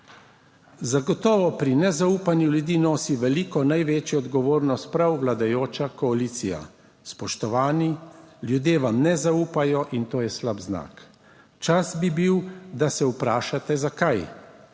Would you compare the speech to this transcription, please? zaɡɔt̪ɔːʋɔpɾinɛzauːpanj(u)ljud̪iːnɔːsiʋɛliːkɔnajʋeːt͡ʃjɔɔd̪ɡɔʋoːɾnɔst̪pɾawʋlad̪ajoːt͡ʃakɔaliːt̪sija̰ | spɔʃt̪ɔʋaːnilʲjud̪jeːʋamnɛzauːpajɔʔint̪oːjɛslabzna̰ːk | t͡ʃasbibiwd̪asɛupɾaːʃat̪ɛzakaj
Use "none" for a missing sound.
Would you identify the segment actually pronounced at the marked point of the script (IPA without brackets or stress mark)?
u